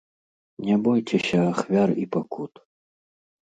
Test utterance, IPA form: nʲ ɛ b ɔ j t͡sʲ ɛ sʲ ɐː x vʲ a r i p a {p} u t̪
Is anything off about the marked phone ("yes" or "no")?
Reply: yes